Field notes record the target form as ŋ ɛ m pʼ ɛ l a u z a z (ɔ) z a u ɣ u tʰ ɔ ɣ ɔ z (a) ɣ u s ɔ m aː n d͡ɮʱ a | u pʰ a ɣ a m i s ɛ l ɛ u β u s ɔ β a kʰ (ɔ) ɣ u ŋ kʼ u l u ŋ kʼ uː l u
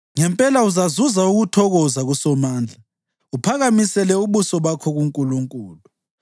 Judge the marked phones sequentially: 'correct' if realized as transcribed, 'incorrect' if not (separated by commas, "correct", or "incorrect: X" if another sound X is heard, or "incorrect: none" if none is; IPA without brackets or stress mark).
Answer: incorrect: u, correct, correct